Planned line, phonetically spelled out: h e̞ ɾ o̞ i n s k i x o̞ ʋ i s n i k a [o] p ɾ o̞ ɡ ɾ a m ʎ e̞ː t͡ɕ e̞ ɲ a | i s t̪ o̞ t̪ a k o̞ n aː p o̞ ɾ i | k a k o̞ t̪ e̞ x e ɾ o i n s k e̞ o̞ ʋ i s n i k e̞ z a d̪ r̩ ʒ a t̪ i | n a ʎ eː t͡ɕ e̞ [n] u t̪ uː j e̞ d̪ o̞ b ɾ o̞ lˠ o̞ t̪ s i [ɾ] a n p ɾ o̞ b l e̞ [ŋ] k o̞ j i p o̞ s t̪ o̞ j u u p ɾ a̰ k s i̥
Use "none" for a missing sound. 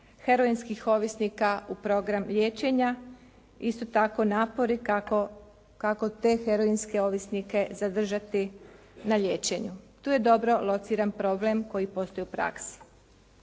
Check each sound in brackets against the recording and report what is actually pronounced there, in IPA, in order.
u, ɲ, ɾ, m

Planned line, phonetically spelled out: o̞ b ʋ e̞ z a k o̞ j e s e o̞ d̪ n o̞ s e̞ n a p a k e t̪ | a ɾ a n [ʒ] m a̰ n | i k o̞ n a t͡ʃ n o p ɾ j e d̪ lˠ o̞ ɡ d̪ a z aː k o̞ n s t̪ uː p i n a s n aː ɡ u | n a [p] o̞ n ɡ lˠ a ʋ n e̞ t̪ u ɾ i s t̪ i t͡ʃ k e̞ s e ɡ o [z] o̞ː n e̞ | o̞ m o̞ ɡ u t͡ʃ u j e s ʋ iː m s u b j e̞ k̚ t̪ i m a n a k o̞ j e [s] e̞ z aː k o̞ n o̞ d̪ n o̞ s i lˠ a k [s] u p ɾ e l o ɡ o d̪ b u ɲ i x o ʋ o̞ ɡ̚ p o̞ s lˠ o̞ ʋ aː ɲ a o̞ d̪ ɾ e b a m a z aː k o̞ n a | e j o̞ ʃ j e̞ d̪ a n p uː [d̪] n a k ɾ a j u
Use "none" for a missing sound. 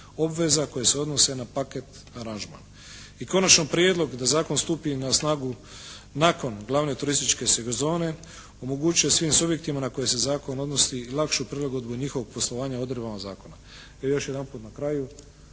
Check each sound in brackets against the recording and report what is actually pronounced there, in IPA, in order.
ʒ, k, z, s, ʃ, t̪

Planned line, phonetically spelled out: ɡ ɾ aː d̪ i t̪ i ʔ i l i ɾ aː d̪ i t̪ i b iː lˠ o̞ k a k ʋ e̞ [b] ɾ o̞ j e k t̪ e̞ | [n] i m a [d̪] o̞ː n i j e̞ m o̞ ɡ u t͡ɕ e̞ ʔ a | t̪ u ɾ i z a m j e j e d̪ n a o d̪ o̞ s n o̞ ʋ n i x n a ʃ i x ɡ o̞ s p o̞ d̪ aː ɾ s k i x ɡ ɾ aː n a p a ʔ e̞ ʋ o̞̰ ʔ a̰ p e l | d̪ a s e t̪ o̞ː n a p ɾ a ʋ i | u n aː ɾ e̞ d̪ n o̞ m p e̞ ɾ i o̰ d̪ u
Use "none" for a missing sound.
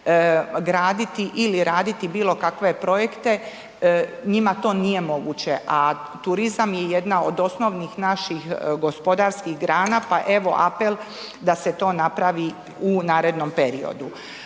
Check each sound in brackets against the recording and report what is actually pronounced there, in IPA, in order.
p, ɲ, t̪

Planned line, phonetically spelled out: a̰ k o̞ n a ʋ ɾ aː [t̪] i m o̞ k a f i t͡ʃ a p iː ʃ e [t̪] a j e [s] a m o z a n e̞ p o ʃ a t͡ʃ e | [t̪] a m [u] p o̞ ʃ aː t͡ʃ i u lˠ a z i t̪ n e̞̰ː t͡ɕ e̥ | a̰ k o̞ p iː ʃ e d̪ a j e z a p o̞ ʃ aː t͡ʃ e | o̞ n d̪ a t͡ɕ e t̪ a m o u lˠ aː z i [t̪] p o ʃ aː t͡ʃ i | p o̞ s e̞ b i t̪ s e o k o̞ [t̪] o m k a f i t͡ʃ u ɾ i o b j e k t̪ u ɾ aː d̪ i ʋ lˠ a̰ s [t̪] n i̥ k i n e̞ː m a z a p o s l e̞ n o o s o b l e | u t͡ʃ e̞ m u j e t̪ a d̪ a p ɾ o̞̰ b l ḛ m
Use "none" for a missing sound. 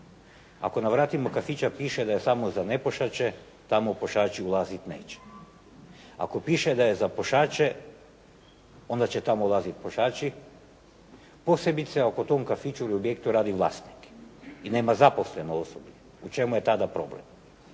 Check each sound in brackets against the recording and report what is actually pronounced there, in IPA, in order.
t̪, d̪, s, t̪, o, t̪, t̪, t̪

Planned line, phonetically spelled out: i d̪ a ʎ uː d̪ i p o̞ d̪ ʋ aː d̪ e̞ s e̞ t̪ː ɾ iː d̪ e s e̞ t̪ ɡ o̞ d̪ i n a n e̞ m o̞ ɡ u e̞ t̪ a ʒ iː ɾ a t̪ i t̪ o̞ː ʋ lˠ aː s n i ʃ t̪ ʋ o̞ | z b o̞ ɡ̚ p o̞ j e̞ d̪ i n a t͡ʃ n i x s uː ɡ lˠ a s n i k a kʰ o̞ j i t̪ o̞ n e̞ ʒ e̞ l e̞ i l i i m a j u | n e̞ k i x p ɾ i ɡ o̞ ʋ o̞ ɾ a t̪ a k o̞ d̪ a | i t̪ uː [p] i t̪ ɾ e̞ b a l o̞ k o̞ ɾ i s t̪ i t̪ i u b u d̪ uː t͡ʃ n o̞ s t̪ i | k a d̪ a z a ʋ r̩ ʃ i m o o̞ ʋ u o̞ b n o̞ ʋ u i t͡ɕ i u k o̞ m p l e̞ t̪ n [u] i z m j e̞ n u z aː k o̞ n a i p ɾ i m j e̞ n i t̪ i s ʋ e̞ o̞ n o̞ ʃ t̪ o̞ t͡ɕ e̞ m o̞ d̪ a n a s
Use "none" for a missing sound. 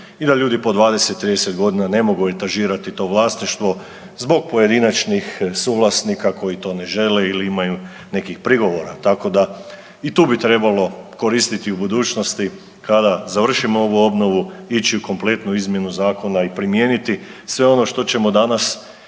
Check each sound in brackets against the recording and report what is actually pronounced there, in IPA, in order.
b, u

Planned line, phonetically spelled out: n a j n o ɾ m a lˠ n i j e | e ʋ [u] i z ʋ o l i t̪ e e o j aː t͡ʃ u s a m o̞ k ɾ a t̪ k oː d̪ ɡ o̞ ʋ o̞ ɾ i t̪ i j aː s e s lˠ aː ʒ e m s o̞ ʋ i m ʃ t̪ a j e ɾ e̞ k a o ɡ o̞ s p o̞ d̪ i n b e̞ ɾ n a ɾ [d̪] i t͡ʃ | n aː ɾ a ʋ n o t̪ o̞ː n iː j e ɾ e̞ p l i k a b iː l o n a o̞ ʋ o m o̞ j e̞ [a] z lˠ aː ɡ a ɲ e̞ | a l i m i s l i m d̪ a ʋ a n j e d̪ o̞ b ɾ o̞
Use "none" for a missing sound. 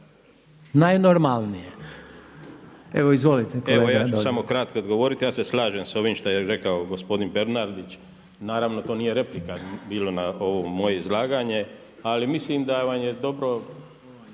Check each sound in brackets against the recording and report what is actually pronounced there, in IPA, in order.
o, d̪, i

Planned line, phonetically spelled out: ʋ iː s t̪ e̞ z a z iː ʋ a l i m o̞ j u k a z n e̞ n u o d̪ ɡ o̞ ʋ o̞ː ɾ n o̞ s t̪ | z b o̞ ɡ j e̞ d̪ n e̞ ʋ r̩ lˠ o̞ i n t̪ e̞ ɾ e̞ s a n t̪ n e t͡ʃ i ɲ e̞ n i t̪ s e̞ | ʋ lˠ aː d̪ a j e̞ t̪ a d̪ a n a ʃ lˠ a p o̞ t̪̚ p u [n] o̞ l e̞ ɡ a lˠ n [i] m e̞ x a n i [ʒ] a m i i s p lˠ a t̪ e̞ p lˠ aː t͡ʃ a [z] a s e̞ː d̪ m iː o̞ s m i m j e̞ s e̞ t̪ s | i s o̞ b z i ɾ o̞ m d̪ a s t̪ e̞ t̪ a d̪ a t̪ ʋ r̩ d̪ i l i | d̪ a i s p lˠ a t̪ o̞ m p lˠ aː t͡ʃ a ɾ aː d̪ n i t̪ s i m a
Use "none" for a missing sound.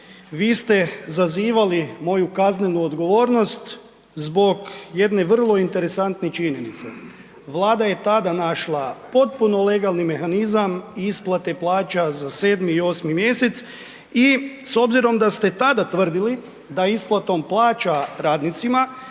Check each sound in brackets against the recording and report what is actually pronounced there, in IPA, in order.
n, i, z, z

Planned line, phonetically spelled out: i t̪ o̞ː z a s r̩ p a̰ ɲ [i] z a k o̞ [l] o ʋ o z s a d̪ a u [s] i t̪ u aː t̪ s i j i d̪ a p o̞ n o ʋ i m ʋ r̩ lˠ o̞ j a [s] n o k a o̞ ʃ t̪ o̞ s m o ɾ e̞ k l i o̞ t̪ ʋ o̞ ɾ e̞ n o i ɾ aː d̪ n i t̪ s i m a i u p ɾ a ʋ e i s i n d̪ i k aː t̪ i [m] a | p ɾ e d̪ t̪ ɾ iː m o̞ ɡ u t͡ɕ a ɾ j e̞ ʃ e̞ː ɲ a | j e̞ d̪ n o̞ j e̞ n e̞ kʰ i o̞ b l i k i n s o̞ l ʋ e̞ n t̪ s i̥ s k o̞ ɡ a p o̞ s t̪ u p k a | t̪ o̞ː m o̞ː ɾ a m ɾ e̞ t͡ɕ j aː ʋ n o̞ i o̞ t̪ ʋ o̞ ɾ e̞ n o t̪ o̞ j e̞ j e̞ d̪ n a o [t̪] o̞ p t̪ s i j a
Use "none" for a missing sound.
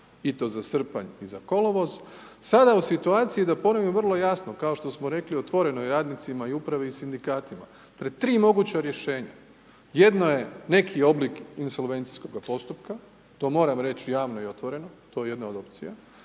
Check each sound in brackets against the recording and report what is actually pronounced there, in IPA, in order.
i, l, s, s, m, d̪

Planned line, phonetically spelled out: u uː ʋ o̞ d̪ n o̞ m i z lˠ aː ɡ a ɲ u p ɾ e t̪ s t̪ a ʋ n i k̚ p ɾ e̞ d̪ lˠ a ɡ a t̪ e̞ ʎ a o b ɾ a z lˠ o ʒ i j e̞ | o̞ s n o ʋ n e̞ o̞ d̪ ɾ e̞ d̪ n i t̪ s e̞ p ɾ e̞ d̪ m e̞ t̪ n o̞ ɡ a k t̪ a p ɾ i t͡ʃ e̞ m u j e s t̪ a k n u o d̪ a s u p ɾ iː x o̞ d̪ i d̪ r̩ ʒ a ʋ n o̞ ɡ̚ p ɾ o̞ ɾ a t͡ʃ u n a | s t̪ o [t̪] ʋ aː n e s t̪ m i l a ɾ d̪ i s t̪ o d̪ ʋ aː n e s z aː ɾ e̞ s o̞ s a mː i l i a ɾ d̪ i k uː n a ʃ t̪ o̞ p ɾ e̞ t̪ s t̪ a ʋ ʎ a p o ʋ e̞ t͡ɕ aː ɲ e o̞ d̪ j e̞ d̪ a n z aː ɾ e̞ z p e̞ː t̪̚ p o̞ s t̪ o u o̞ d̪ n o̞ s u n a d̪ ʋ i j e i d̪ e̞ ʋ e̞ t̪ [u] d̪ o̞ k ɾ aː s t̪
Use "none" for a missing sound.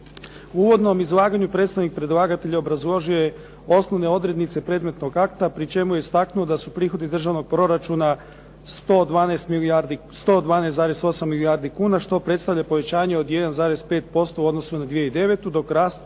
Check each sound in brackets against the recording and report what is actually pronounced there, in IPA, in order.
d̪, u

